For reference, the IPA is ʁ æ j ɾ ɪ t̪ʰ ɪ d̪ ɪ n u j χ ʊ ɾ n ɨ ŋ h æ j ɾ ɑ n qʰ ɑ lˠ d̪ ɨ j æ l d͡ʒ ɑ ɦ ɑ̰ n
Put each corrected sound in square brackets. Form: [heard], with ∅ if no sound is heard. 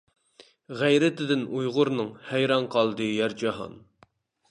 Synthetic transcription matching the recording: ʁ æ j ɾ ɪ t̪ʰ ɪ d̪ ɪ n u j [ʁ] ʊ ɾ n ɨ ŋ h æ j ɾ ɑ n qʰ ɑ lˠ d̪ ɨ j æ [ɾ] d͡ʒ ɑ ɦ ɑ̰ n